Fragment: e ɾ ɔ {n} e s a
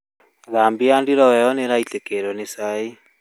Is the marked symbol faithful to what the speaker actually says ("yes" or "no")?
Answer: yes